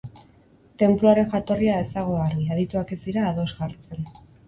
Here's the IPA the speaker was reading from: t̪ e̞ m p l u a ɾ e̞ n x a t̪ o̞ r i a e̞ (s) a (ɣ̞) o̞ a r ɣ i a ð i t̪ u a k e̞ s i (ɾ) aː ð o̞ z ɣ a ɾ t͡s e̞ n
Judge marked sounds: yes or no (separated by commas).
yes, yes, yes